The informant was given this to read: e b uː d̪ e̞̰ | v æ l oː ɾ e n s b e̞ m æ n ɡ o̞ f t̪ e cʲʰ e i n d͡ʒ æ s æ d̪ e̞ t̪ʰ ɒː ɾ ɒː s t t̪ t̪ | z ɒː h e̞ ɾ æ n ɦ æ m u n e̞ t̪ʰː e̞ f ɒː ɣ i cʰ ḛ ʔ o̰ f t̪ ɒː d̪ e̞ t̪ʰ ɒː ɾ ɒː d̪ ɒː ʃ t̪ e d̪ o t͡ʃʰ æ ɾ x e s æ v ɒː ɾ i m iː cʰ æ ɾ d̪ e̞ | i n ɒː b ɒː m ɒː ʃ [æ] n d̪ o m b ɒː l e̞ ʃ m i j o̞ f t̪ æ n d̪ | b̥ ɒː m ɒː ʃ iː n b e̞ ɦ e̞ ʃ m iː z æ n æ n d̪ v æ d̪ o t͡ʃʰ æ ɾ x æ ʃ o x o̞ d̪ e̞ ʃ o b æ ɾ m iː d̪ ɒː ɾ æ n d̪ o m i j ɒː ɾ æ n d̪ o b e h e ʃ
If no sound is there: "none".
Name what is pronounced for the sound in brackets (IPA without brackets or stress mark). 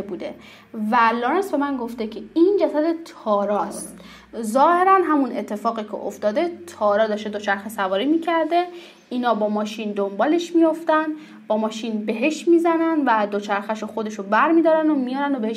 i